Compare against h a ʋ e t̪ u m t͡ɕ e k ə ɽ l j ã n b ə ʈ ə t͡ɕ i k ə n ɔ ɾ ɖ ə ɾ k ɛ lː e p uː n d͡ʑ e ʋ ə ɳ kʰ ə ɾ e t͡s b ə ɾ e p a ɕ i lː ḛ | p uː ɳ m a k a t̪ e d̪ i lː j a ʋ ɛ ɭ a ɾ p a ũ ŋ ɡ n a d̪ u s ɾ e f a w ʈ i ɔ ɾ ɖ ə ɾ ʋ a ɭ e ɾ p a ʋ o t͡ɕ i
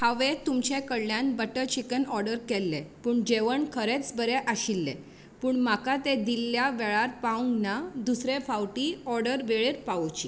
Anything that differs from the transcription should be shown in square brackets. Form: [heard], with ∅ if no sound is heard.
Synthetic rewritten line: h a ʋ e t̪ u m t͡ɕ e k ə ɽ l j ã n b ə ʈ ə t͡ɕ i k ə n ɔ ɾ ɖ ə ɾ k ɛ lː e p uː [ɳ] d͡ʑ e ʋ ə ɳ kʰ ə ɾ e t͡s b ə ɾ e [ʔ] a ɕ i lː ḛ | p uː ɳ m a k a t̪ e d̪ i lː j a ʋ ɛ ɭ a ɾ p a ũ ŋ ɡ n a d̪ u s ɾ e f a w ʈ i ɔ ɾ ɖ ə ɾ ʋ [e] ɭ e ɾ p a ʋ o t͡ɕ i